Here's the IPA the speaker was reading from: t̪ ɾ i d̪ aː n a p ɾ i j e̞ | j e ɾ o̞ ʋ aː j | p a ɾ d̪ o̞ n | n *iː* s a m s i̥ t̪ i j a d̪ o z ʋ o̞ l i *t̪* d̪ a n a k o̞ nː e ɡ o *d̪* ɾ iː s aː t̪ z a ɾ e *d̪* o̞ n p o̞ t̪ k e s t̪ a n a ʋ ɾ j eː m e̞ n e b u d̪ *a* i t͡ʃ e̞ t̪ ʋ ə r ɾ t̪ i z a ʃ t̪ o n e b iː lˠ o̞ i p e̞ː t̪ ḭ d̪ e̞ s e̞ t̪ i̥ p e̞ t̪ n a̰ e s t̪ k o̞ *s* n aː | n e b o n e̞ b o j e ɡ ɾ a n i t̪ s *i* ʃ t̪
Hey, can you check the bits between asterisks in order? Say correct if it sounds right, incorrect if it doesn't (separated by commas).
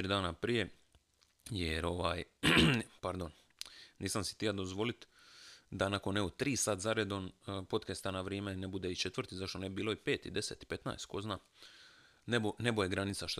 correct, correct, incorrect, correct, incorrect, incorrect, incorrect